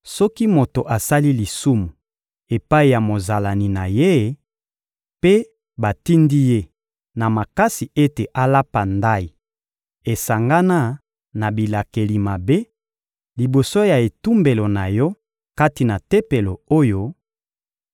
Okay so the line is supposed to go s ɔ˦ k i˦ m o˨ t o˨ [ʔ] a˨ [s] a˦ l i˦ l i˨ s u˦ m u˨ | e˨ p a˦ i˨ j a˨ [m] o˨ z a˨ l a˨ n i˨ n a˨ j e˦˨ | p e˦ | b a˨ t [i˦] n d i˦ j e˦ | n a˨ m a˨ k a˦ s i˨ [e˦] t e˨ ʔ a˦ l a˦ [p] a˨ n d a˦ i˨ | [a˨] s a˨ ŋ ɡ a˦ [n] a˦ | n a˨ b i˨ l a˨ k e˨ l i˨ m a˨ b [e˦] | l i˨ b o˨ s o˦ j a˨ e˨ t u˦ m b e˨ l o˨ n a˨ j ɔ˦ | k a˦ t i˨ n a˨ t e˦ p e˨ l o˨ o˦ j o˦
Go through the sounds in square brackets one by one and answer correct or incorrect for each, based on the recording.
correct, correct, correct, correct, correct, correct, incorrect, correct, correct

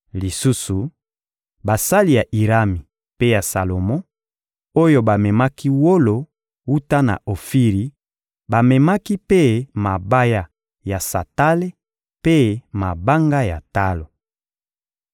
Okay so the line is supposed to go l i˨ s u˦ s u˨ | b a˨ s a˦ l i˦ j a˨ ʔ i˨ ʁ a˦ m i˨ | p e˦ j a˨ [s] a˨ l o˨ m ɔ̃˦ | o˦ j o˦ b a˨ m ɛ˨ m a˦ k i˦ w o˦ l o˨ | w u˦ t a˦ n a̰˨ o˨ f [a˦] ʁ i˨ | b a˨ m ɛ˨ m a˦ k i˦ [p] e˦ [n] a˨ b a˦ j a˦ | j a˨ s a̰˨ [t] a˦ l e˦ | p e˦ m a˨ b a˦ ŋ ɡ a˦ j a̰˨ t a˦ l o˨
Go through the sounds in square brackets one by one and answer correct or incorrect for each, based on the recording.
correct, incorrect, correct, incorrect, correct

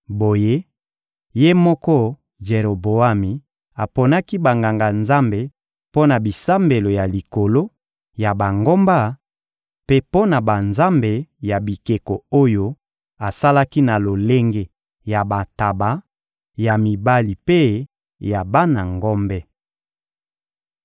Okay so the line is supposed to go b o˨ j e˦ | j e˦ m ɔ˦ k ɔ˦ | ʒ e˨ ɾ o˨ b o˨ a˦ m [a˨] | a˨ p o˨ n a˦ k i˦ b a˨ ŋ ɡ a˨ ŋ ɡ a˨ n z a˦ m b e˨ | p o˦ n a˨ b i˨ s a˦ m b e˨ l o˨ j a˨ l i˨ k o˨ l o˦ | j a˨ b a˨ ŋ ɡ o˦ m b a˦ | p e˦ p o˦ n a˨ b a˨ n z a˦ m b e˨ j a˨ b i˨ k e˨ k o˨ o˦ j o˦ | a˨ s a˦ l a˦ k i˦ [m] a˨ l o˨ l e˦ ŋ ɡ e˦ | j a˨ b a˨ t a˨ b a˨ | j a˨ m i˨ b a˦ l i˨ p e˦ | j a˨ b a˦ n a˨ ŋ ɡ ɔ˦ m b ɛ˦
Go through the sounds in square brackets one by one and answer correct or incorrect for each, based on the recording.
incorrect, incorrect

